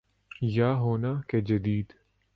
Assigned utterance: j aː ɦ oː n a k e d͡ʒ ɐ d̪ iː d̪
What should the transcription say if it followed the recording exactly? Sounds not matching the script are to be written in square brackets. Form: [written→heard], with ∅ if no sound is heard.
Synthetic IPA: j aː ɦ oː n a k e d͡ʒ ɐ d̪ iː d̪